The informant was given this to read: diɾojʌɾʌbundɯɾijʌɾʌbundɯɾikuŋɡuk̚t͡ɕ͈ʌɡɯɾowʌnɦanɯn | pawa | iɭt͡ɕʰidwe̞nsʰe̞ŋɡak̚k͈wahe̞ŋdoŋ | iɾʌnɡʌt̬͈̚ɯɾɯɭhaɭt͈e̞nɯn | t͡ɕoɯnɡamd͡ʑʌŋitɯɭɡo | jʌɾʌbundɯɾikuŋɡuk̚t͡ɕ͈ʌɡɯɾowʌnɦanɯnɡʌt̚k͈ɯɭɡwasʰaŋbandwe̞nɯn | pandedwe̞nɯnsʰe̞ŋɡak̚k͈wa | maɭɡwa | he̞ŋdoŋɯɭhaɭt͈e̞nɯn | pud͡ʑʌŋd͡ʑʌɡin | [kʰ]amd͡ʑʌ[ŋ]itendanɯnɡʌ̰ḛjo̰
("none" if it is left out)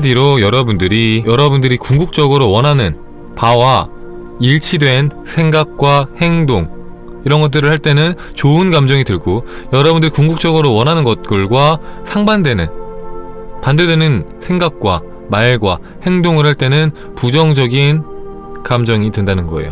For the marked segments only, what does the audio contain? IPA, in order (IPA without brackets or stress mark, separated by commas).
k, ŋ